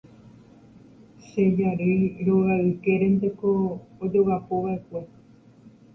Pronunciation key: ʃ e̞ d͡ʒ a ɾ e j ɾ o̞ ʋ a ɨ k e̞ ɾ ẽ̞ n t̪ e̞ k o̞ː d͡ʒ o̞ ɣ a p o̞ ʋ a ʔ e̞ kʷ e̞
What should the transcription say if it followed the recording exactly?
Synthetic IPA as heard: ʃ e̞ d͡ʒ a ɾ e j ɾ o̞ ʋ a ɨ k e̞ ɾ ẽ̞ n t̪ e̞ k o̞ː d͡ʒ o̞ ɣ a p o̞ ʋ a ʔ e̞ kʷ e̞